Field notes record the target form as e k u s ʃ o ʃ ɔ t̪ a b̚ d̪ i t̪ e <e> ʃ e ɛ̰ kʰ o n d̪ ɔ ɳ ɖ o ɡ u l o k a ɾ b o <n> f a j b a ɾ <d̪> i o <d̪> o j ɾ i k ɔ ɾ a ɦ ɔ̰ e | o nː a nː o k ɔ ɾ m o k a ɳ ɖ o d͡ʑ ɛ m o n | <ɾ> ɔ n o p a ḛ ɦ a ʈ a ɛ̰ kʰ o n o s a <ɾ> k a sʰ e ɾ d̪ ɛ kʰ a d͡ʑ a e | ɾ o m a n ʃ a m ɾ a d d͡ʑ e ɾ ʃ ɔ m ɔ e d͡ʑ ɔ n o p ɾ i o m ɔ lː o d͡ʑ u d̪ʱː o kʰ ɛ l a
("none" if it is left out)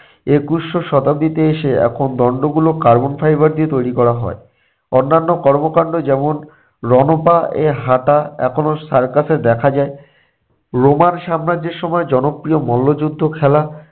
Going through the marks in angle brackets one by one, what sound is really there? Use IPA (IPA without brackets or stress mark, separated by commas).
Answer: e, n, d̪, t̪, ɾ, ɾ